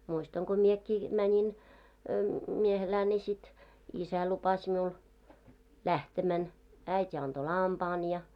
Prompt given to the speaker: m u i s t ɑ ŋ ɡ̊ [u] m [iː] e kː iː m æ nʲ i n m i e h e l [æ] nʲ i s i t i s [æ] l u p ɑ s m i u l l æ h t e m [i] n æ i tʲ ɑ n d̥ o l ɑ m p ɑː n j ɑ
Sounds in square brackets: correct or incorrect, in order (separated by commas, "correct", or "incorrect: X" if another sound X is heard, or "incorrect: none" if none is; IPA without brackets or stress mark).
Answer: incorrect: o, incorrect: i, incorrect: æː, correct, incorrect: æ